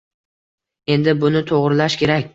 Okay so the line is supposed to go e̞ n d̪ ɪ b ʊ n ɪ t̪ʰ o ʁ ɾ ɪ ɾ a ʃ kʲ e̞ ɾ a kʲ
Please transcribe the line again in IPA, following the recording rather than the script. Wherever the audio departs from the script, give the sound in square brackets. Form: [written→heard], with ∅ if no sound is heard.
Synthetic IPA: e̞ n d̪ ɪ b ʊ n ɪ t̪ʰ o ʁ ɾ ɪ [ɾ→l] a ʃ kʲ e̞ ɾ a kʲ